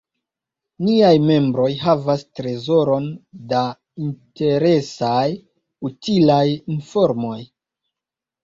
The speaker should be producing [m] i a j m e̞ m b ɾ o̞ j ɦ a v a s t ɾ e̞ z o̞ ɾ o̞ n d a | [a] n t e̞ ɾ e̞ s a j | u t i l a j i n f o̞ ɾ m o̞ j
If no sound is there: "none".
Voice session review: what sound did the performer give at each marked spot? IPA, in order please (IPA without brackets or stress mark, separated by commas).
n, i